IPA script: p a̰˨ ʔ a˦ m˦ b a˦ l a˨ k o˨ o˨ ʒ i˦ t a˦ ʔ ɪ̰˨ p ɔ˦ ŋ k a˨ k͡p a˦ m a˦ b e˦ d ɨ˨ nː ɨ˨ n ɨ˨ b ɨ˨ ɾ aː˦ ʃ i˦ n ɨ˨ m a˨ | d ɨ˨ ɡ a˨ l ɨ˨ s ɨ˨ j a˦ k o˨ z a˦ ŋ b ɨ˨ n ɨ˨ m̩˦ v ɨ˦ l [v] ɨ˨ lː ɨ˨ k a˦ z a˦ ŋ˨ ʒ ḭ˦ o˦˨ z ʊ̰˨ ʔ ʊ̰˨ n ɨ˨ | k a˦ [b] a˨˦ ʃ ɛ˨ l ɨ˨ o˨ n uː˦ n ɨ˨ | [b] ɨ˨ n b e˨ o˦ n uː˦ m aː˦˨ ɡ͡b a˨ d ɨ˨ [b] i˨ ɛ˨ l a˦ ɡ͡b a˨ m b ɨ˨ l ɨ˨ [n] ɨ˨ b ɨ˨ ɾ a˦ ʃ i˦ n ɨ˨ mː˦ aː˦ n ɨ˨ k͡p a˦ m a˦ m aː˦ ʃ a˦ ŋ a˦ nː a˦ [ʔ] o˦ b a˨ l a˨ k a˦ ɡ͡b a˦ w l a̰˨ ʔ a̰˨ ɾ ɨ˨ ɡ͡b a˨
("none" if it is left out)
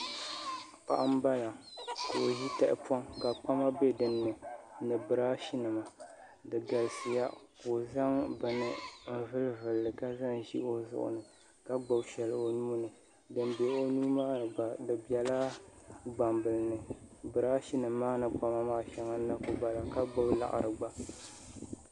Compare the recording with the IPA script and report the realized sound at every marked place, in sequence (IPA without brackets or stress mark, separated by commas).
v, ɡ͡b, d, b, n, k